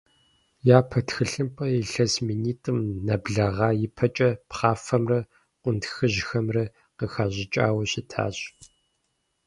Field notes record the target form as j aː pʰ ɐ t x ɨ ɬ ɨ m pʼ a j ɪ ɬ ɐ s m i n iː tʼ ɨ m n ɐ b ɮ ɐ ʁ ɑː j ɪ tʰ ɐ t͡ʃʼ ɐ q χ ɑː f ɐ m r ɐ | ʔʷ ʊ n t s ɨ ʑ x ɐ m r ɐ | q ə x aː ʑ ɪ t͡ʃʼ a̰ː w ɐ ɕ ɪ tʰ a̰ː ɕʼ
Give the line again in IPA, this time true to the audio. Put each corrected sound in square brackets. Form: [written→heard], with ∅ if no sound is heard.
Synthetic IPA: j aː pʰ ɐ t x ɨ ɬ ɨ m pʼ [a→ɐ] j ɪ ɬ ɐ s m i n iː tʼ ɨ m n ɐ b ɮ ɐ ʁ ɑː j ɪ [tʰ→pʰ] ɐ t͡ʃʼ ɐ [q→p] χ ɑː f ɐ m r ɐ | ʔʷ ʊ n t [s→x] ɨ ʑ x ɐ m r ɐ | q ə x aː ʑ ɪ t͡ʃʼ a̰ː w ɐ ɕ ɪ tʰ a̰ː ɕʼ